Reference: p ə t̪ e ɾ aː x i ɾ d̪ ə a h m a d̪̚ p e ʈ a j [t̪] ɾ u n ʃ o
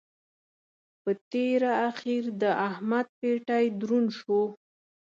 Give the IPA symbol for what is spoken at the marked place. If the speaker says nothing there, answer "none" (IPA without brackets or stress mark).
d̪